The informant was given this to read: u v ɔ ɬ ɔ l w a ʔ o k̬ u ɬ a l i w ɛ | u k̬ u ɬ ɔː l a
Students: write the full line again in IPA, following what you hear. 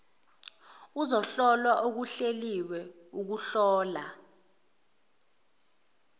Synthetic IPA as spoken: u z ɔ ɬ ɔ l w a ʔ o k̬ u ɬ e l i w ɛ | u k̬ u ɬ ɔː l a